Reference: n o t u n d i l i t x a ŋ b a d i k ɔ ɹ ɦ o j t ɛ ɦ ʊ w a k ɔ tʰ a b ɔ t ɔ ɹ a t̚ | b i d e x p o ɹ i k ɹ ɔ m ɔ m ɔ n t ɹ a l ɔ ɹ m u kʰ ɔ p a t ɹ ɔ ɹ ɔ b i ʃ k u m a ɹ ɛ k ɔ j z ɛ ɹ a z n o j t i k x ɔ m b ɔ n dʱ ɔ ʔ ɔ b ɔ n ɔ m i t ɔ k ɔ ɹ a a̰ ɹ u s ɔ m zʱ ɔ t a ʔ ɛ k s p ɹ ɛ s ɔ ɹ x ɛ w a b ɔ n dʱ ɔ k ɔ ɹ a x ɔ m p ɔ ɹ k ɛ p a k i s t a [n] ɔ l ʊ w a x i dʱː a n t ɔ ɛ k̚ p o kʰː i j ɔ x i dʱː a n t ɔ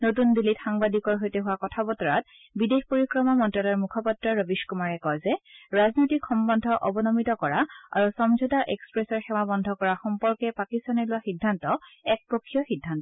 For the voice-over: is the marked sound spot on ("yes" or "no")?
yes